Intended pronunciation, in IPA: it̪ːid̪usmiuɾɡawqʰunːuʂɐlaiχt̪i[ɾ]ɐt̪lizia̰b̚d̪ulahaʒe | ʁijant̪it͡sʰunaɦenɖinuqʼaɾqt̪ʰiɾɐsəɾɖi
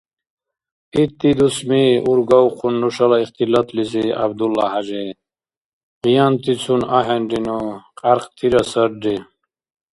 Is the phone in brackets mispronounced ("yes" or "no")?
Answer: yes